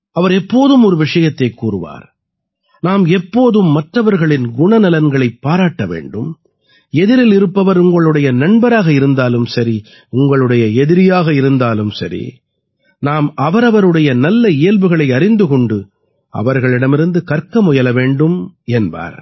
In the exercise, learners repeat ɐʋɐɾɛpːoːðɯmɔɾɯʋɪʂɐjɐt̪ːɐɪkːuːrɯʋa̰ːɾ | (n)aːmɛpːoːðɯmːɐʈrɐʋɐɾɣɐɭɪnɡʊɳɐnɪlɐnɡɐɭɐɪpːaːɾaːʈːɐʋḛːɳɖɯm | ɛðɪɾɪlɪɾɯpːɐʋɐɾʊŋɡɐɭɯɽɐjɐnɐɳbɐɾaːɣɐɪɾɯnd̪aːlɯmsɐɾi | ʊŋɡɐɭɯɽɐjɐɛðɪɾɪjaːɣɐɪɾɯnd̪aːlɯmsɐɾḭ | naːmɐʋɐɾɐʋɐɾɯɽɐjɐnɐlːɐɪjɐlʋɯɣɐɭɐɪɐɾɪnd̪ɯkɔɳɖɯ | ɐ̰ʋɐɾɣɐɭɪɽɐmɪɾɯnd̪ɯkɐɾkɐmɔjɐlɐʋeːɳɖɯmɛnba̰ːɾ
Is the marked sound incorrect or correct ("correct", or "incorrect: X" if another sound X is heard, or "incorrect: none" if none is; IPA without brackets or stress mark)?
correct